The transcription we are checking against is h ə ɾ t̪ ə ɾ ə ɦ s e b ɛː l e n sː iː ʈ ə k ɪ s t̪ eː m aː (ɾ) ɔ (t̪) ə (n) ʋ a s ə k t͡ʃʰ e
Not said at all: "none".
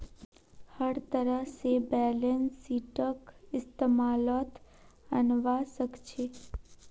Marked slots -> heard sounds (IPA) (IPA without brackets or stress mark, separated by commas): l, t̪, n